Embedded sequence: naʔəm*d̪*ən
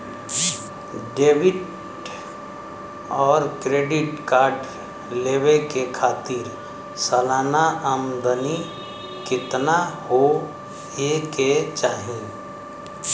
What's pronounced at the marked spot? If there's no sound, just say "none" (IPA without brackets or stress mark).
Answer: d̪